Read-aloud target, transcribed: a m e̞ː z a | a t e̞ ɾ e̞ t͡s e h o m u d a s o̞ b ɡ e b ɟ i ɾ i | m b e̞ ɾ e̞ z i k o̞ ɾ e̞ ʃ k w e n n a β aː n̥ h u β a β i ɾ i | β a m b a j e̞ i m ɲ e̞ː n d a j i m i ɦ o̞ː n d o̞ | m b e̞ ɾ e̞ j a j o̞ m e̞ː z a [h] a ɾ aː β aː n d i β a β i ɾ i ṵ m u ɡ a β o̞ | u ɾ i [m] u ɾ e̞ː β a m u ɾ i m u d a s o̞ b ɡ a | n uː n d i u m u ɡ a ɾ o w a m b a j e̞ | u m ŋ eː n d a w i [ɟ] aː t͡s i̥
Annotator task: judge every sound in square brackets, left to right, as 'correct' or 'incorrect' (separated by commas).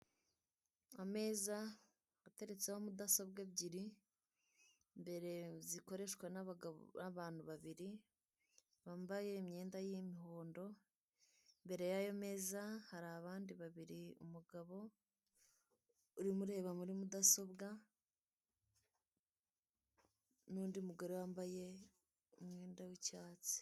correct, correct, incorrect